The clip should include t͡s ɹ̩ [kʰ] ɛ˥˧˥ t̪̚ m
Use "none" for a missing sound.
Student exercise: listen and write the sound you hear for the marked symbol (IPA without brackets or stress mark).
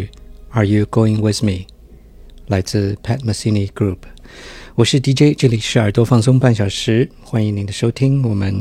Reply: pʰ